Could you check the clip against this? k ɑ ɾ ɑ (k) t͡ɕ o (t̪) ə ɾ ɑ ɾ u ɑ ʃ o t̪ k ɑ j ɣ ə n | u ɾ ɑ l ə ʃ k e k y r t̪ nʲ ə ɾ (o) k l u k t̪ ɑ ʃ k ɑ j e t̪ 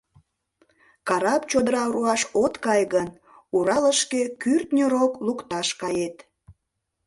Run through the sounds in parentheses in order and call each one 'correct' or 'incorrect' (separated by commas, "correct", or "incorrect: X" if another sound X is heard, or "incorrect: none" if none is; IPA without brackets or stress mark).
incorrect: p, incorrect: d̪, correct